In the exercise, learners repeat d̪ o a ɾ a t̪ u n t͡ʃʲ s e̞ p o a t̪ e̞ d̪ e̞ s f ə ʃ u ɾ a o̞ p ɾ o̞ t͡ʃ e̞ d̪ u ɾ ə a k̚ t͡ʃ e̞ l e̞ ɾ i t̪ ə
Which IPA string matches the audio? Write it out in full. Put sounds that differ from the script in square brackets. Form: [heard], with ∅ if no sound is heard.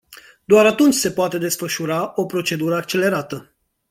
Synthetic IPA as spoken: d̪ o a ɾ a t̪ u n t͡ʃʲ s e̞ p o a t̪ e̞ d̪ e̞ s f ə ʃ u ɾ a o̞ p ɾ o̞ t͡ʃ e̞ d̪ u ɾ ə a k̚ t͡ʃ e̞ l e̞ ɾ [a] t̪ ə